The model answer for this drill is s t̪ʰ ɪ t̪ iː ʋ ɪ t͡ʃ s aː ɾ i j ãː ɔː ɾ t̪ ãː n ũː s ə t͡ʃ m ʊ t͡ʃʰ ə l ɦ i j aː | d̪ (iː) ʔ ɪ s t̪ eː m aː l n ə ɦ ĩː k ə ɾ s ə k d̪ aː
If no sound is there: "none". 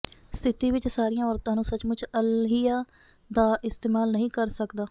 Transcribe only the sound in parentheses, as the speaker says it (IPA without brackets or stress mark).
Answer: aː